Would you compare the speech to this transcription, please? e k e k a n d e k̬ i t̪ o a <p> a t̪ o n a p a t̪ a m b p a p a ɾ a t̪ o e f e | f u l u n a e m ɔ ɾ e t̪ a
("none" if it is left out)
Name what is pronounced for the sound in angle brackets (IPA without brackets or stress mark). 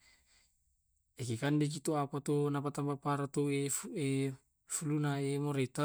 p